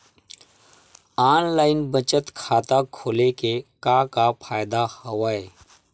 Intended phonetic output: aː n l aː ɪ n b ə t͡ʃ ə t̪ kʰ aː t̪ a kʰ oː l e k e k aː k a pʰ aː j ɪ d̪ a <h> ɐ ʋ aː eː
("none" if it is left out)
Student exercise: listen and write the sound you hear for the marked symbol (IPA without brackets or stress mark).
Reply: h